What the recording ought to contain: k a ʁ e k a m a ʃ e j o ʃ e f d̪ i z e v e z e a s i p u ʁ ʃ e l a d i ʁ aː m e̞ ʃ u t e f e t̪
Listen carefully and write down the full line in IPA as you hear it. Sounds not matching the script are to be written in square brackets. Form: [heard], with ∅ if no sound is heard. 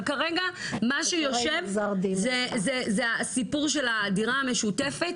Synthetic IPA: k a ʁ e [ɡ] a m a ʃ e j o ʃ e [v] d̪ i z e [z] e z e a s i p u ʁ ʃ e l a d i ʁ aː m e̞ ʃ u t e f e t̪